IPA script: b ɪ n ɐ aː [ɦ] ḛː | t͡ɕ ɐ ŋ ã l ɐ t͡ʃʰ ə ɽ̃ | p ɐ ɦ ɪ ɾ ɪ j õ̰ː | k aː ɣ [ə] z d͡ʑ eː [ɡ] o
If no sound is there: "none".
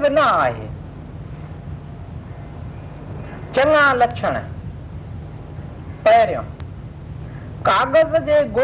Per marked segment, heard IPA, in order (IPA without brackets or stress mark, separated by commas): ɦ, ə, ɡ